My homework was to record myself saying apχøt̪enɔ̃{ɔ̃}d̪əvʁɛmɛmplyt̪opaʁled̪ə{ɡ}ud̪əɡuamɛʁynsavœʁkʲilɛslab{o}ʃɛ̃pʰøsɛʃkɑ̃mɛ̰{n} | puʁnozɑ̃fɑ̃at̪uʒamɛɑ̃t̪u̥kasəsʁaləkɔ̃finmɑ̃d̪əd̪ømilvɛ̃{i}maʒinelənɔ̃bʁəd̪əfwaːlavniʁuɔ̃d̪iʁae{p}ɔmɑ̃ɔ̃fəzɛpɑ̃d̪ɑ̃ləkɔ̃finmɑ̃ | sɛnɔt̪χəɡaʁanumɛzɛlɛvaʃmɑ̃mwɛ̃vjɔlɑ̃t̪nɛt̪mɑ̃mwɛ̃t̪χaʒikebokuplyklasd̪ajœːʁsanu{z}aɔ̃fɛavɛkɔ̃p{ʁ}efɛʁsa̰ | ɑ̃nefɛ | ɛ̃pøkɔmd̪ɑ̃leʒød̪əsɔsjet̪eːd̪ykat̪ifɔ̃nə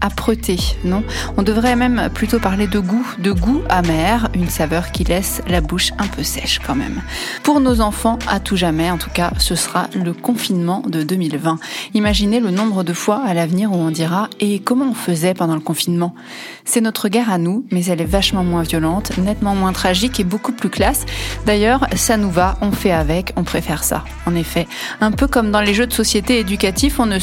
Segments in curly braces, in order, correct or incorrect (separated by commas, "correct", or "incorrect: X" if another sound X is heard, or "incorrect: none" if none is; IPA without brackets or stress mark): correct, correct, incorrect: u, incorrect: m, correct, incorrect: k, incorrect: v, incorrect: χ